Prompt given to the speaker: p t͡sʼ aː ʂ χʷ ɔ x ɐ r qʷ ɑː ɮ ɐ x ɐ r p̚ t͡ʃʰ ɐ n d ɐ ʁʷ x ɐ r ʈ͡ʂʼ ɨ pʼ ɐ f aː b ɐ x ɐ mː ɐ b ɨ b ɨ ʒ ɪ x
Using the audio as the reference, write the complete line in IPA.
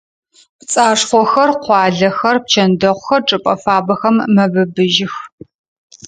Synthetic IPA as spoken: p t͡sʼ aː ʂ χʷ ɔ x ɐ r qʷ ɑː ɮ ɐ x ɐ r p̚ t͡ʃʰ ɐ n d ɐ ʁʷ x ɐ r ʈ͡ʂʼ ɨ pʼ ɐ f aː b ɐ x ɐ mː ɐ b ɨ b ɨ ʒ ɪ x